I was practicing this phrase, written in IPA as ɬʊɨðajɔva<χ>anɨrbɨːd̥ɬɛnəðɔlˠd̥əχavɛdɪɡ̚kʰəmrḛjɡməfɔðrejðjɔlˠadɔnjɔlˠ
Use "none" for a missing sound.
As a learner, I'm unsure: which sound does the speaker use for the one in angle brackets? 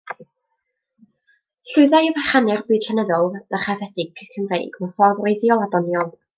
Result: χ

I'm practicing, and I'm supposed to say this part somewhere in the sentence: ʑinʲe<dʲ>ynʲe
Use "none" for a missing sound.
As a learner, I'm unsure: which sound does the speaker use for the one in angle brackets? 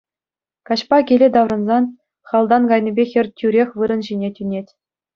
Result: tʲ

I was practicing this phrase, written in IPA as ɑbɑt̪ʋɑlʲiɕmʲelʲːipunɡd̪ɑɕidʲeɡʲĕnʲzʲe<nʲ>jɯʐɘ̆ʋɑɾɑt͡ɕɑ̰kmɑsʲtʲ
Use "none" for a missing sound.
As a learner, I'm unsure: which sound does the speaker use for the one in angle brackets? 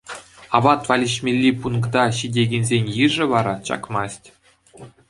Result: nʲ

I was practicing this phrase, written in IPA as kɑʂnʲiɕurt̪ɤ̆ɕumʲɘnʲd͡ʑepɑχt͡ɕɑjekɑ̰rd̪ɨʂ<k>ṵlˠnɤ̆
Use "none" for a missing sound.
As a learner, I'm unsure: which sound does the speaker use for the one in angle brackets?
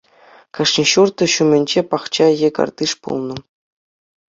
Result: p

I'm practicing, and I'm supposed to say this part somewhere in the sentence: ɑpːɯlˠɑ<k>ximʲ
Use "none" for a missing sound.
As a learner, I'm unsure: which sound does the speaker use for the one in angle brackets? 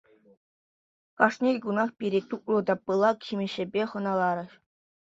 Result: k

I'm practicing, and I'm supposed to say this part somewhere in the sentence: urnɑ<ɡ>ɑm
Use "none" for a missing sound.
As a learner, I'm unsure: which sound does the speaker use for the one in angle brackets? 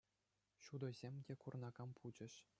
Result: ɡ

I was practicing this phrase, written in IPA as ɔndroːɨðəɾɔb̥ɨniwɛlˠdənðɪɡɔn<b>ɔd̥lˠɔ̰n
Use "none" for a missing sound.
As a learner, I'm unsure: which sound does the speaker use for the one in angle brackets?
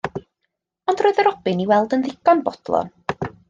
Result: b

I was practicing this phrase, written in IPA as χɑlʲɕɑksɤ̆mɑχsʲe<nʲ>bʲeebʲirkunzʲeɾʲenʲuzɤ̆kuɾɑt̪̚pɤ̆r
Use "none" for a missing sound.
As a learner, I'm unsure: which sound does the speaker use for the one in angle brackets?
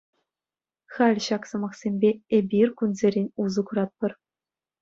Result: mʲ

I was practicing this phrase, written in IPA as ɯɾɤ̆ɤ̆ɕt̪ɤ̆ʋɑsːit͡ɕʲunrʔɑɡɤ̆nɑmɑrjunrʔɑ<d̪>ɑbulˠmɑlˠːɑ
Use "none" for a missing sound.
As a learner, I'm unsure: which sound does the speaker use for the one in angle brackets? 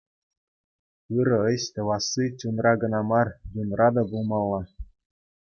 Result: d̪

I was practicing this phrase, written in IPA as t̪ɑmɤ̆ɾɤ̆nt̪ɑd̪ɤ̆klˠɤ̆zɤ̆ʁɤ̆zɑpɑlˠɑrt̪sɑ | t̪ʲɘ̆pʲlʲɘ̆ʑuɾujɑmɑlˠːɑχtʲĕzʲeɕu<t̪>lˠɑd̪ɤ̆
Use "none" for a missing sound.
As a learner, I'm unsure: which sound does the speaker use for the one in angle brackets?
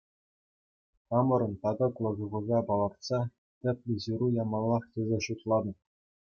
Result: t̪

